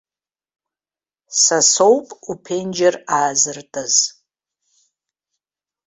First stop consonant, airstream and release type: ejective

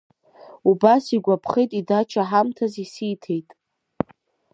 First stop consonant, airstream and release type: plain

